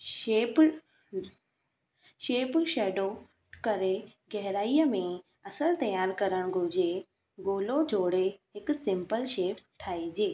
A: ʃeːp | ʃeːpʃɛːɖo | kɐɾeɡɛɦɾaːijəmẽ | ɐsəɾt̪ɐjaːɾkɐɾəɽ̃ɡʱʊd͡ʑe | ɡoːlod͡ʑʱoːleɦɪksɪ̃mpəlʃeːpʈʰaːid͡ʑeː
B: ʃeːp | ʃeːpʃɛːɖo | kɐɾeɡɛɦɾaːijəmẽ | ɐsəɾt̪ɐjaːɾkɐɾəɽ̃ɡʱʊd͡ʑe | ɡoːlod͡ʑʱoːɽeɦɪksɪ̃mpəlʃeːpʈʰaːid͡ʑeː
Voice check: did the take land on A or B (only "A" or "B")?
B